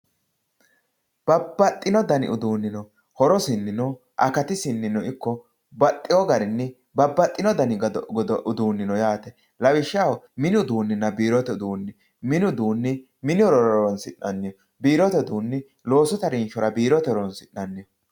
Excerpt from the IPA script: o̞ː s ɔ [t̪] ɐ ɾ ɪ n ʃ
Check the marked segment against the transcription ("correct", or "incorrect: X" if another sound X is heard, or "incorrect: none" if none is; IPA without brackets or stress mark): correct